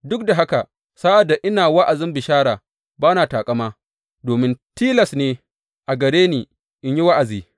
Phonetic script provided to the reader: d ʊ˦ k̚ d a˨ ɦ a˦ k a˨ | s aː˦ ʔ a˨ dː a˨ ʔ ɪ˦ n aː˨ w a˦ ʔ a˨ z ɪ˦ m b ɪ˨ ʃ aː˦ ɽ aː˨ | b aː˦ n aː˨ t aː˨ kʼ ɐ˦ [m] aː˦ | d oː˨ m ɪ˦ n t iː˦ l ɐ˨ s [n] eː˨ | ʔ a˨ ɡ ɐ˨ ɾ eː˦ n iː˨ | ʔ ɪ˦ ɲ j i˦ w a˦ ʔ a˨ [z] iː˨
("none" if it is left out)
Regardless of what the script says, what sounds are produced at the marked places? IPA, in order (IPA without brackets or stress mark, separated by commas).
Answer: m, n, z